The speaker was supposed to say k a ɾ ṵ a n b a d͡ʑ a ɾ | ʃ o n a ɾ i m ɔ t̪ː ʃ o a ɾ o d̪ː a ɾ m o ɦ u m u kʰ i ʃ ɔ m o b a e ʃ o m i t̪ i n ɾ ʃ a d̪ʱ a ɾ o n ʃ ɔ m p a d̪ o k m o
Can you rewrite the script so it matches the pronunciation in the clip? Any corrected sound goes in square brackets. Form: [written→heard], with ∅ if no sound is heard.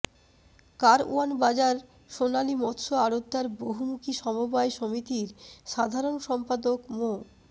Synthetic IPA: k a ɾ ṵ a n b a d͡ʑ a ɾ | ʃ o n a [ɾ→l] i m ɔ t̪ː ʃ o a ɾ o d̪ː a ɾ [m→b] o ɦ u m u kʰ i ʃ ɔ m o b a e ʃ o m i t̪ i [n→∅] ɾ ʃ a d̪ʱ a ɾ o n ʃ ɔ m p a d̪ o k m o

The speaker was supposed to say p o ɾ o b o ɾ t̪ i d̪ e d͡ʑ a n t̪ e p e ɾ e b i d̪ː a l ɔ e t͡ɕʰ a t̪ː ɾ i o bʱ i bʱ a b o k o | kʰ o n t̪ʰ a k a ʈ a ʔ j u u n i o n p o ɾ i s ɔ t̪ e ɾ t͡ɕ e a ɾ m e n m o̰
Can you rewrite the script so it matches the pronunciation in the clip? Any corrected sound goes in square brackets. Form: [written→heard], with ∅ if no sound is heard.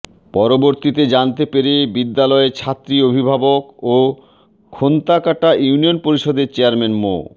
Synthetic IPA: p [o→ɔ] ɾ o b o ɾ t̪ i [d̪→t̪] e d͡ʑ a n t̪ e p e ɾ e b i d̪ː a l ɔ e t͡ɕʰ a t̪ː ɾ i o bʱ i bʱ a b o k o | kʰ o n [t̪ʰ→t̪] a k a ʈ a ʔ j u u n i o n p o ɾ i [s→ʃ] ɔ [t̪→d̪] e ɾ t͡ɕ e a ɾ m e n m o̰

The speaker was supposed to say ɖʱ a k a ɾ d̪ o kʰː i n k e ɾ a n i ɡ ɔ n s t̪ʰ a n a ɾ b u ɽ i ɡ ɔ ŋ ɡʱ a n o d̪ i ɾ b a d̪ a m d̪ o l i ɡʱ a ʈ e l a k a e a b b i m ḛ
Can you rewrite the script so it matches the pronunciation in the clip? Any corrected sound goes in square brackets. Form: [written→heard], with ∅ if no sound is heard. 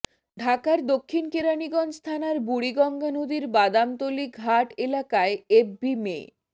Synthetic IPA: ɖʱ a k a ɾ d̪ o kʰː i n k e ɾ a n i ɡ ɔ n s t̪ʰ a n a ɾ b u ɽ i ɡ ɔ ŋ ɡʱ a n o d̪ i ɾ b a d̪ a m [d̪→t̪] o l i ɡʱ a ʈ e l a k a e [a→e] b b i m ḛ

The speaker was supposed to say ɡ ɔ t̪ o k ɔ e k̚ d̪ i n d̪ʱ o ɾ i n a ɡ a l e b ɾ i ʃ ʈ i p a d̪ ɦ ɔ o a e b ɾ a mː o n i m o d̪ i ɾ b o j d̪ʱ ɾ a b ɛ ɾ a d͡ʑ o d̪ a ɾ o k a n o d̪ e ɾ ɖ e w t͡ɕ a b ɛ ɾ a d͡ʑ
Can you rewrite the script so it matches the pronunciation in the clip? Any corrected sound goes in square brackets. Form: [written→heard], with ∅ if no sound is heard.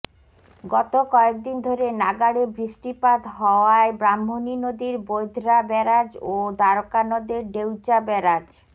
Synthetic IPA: ɡ ɔ t̪ o k ɔ e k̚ d̪ i n d̪ʱ o ɾ [i→e] n a ɡ a [l→ɽ] e b ɾ i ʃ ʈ i p a d̪ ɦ ɔ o a e b ɾ a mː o n i [m→n] o d̪ i ɾ b o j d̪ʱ ɾ a b ɛ ɾ a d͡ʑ o d̪ a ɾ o k a n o d̪ e ɾ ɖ e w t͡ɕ a b ɛ ɾ a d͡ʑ

